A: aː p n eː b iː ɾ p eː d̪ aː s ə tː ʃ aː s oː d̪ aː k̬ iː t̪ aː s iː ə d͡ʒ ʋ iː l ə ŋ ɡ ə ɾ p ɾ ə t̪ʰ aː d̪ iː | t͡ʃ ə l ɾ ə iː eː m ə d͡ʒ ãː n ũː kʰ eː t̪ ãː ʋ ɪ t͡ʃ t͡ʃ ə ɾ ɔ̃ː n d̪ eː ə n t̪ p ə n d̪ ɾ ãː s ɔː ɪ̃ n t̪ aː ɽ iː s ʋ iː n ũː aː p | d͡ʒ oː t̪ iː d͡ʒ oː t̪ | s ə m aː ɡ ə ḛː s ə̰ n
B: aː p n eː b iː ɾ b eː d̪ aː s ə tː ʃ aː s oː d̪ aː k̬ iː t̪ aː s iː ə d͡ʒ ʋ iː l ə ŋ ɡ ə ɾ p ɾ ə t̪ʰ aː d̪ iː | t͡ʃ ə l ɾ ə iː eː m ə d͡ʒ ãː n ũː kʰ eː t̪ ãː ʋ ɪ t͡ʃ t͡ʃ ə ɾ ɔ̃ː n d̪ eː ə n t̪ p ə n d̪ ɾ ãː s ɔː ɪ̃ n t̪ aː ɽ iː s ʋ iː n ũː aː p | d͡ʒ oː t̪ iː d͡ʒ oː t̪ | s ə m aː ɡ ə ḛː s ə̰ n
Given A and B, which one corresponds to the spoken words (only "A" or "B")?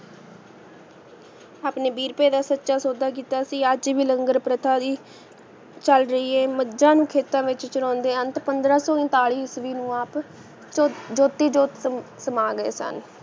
A